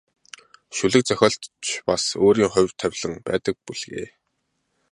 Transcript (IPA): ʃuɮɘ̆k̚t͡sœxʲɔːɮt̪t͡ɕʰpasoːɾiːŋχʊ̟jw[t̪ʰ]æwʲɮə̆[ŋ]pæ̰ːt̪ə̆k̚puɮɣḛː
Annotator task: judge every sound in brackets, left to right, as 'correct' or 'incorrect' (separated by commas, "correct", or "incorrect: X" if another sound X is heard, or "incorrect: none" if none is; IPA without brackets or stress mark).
correct, correct